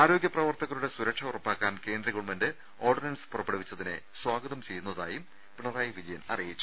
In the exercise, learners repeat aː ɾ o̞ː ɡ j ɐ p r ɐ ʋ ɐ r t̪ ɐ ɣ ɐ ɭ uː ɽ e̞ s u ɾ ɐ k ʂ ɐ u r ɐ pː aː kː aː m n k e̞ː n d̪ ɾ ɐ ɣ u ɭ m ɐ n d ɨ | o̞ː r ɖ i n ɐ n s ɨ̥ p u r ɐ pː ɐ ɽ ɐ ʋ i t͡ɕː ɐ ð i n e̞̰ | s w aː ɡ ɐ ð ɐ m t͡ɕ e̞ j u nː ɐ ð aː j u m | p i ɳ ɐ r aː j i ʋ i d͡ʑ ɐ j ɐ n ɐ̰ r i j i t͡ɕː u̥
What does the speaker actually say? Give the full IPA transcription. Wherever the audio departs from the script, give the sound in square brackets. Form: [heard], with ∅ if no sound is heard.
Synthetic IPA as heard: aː ɾ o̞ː ɡ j ɐ p r ɐ ʋ ɐ r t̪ ɐ ɣ ɐ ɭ [u] ɽ e̞ s u ɾ ɐ k ʂ ɐ u r ɐ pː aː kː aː [∅] n k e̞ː n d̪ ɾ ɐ ɣ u ɭ m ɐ n d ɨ | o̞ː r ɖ i n ɐ n s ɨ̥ p u r ɐ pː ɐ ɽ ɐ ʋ i t͡ɕː ɐ ð i n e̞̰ | s w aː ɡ ɐ ð ɐ m t͡ɕ e̞ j u nː ɐ ð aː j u m | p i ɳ ɐ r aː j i ʋ i d͡ʑ ɐ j ɐ n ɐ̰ r i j i t͡ɕː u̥